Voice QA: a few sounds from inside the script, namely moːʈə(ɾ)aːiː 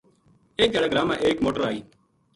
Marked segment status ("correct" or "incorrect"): correct